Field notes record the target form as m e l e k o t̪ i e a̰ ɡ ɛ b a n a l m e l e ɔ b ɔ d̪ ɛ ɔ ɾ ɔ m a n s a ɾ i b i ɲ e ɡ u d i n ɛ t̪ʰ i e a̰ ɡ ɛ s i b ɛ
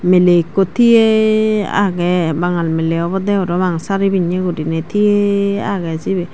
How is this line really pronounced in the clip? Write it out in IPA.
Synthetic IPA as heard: m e l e k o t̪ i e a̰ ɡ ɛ b a ŋ a l m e l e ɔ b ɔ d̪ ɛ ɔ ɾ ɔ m a ŋ s a ɾ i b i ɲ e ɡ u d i n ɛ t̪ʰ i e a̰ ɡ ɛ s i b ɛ